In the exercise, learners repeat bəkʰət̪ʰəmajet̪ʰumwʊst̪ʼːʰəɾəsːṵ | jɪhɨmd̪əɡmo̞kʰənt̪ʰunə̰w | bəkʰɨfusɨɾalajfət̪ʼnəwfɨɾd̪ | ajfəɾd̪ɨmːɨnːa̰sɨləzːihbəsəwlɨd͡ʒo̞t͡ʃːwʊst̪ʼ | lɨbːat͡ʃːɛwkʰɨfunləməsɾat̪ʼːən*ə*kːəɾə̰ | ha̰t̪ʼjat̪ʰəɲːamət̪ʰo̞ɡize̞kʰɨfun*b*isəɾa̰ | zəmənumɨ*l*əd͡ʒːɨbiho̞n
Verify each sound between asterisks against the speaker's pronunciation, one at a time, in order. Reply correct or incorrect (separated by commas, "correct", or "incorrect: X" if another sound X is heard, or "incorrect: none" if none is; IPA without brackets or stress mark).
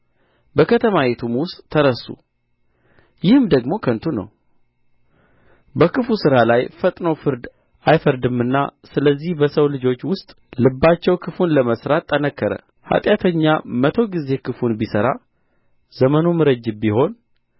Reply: correct, correct, incorrect: ɾ